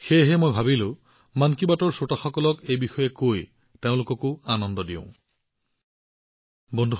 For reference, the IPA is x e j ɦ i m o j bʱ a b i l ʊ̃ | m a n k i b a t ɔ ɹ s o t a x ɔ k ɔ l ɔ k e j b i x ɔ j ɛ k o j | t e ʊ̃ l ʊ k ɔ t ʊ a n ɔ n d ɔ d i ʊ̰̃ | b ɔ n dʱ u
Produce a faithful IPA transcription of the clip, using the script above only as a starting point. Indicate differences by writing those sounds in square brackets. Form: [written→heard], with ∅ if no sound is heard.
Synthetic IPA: x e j ɦ [i→ɛ] m o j bʱ a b i l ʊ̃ | m a n k i b a t ɔ ɹ s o t a x ɔ k ɔ l ɔ k e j b i x ɔ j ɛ k o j | t e ʊ̃ l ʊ k ɔ [t→k] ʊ a n ɔ n d ɔ d i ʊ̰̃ | b ɔ n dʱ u

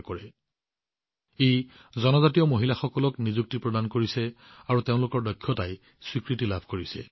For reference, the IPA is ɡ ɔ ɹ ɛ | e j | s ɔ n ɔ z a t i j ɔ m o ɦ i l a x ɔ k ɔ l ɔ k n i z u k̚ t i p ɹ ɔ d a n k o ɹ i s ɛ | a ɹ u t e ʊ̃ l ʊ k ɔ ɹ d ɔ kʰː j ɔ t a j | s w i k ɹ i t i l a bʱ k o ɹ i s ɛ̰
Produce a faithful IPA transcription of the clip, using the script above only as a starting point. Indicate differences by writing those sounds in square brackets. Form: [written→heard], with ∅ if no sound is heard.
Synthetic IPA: [ɡ→k] ɔ ɹ ɛ | e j | [s→z] ɔ n ɔ z a t i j ɔ m o ɦ i l a x ɔ k ɔ l ɔ k n i z u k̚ t i p ɹ ɔ d a n k o ɹ i s ɛ | a ɹ u t e ʊ̃ l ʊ k ɔ ɹ d ɔ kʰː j ɔ t a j | s w i k ɹ i t i l a bʱ k o ɹ i s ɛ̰

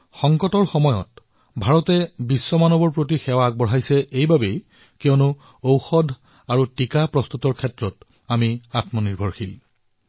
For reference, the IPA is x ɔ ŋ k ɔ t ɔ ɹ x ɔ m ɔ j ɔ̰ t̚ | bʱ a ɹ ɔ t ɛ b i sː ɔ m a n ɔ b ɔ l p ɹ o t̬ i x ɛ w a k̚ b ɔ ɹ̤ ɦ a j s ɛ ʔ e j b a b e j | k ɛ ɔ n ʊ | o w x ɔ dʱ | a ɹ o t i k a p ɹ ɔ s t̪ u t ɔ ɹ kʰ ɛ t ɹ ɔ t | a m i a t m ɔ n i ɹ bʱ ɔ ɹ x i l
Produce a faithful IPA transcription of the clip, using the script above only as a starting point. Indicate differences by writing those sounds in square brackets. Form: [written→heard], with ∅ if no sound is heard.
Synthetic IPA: x ɔ ŋ k ɔ t ɔ ɹ x ɔ m ɔ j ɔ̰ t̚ | bʱ a ɹ ɔ t ɛ b i sː ɔ m a n ɔ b ɔ [l→ɹ] p ɹ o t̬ i x ɛ w a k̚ b ɔ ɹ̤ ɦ a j s ɛ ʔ e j b a b e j | k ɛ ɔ n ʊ | o w x ɔ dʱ | a ɹ [o→u] t i k a p ɹ ɔ s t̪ u t ɔ ɹ kʰ ɛ t ɹ ɔ t | a m i a t m ɔ n i ɹ bʱ ɔ ɹ x i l

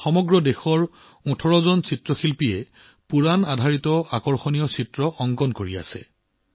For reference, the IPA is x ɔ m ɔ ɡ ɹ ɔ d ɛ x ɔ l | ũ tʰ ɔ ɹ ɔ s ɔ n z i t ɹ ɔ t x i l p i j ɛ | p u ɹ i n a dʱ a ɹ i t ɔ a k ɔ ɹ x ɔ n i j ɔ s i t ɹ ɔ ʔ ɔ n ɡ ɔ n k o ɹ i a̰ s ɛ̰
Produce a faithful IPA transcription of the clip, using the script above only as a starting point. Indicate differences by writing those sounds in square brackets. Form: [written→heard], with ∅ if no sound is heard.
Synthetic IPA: x ɔ m ɔ ɡ ɹ ɔ d [ɛ→e] x ɔ [l→ɹ] | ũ tʰ ɔ ɹ ɔ [s→z] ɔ n [z→s] i t ɹ ɔ [t→∅] x i l p i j ɛ | p u ɹ [i→a] n a dʱ a ɹ i t ɔ a k ɔ ɹ x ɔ n i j ɔ s i t ɹ ɔ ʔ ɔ [n→ŋ] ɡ ɔ n k o ɹ i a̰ s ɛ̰

